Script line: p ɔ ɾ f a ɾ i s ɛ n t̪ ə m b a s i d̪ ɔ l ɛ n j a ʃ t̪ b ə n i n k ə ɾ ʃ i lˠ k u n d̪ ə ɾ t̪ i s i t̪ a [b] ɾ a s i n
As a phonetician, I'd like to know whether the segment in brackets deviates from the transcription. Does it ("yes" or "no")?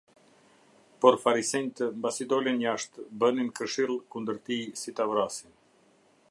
yes